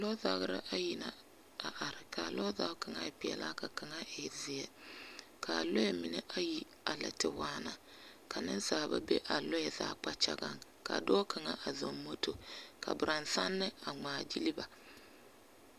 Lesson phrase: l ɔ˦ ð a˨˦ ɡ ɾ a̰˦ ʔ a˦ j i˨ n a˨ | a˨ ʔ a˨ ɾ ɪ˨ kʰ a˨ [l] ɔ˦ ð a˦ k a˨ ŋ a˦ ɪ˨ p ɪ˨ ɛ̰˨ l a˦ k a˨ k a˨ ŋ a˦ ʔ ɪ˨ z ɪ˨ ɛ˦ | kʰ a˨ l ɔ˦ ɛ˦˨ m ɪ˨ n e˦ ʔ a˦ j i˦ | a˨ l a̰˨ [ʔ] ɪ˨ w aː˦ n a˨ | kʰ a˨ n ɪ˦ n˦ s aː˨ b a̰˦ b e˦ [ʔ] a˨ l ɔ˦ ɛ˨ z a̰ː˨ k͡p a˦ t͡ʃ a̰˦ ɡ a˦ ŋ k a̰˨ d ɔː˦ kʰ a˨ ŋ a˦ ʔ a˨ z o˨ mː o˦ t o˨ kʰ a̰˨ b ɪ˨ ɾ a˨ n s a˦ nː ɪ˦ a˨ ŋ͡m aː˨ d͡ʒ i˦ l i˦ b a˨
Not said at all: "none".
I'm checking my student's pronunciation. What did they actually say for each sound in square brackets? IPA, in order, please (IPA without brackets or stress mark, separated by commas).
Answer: l, t, ʔ